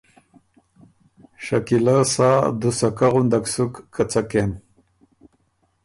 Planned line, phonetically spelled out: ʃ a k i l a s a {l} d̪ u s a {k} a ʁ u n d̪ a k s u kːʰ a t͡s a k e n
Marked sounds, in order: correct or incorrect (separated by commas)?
incorrect, correct